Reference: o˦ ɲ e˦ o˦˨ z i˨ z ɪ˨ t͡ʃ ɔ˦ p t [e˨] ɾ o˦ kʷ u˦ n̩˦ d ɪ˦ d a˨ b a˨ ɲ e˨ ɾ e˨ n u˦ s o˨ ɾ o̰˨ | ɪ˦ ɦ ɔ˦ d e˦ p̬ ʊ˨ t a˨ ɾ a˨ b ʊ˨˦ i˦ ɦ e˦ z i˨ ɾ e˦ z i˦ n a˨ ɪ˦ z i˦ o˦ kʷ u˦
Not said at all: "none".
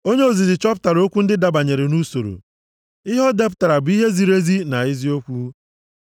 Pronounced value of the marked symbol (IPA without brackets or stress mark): a˨